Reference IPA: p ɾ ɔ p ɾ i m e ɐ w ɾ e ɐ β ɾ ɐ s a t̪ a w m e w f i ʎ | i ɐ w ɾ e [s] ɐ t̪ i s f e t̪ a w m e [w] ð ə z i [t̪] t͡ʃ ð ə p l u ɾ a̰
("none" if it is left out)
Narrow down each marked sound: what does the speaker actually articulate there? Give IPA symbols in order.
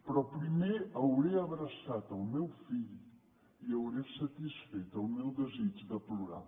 s, w, none

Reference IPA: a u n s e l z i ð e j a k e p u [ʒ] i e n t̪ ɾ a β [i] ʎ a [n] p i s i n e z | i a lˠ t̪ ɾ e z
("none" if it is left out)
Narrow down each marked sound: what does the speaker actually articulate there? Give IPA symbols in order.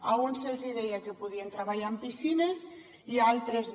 ð, a, m

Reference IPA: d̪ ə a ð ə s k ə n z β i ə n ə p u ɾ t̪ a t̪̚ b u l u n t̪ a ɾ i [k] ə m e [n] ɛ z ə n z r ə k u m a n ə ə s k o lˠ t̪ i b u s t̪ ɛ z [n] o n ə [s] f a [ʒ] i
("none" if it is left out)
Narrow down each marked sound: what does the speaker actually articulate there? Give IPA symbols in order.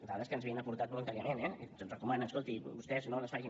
none, n, n, s, ʒ

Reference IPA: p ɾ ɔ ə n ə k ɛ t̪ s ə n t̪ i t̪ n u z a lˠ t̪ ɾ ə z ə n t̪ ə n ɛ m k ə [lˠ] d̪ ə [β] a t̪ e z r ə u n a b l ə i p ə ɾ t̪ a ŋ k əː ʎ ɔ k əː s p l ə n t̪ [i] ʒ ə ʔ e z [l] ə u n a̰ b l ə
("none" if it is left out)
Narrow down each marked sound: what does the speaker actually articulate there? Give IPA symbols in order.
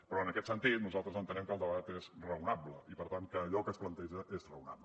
lˠ, β, ɛ, r

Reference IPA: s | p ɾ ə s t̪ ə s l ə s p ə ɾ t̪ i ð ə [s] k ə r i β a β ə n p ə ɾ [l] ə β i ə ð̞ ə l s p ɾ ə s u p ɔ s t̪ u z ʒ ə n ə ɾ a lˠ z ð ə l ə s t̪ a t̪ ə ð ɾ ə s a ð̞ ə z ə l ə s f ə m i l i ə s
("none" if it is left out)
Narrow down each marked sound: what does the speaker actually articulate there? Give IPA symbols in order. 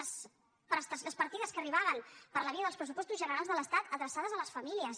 s, l

